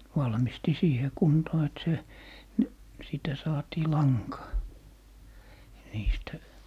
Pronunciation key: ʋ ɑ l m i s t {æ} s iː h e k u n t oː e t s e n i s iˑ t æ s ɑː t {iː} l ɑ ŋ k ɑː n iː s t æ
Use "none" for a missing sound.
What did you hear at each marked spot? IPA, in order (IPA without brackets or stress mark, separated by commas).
i, iː